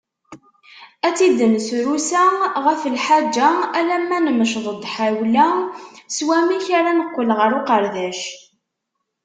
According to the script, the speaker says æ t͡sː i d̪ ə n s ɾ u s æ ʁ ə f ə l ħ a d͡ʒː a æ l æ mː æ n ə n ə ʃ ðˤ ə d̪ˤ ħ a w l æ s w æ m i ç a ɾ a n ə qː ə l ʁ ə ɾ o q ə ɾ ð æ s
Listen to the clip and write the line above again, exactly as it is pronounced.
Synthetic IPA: æ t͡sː i d̪ ə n s ɾ u s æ ʁ ə f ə l ħ a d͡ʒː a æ l æ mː æ n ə m ə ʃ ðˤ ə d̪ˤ ħ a w l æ s w æ m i ç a ɾ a n ə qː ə l ʁ ə ɾ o q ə ɾ ð æ ʃ